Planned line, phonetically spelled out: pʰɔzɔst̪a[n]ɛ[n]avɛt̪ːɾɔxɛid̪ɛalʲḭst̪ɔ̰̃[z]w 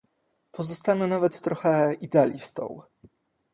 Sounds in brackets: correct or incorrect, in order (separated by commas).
correct, correct, incorrect